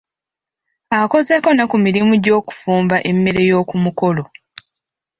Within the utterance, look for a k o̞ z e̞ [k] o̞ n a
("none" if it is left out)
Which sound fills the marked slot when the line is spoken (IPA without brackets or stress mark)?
k